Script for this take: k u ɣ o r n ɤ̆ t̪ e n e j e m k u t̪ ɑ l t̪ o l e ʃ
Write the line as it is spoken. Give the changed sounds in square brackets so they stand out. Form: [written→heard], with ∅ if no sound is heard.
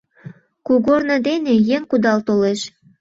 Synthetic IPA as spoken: k u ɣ o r n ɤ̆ [t̪→d̪] e n e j e [m→ŋ] k u [t̪→d̪] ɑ l t̪ o l e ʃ